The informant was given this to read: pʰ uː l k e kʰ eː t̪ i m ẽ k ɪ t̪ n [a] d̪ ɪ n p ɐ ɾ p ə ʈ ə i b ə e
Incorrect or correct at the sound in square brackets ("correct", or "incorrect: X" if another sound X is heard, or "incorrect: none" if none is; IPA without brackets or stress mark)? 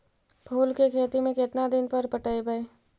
correct